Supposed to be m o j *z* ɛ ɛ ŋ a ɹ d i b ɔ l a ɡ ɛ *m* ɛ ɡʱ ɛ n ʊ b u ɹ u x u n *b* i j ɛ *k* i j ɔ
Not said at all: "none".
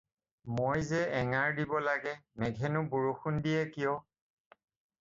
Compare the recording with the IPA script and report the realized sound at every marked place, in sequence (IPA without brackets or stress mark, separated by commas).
z, m, d, k